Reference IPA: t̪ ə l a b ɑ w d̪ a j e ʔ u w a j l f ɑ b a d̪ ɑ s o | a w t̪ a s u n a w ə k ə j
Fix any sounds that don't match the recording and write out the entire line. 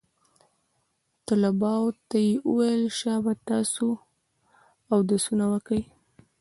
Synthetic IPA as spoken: t̪ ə l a b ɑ w t̪ a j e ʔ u w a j l ʃ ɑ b a t̪ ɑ s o | a w d̪ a s u n a w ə k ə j